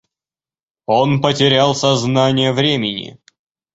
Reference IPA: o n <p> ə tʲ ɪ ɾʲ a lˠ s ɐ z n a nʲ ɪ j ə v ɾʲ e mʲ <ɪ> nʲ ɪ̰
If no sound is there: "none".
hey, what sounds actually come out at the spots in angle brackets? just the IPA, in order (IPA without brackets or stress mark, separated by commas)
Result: p, ɪ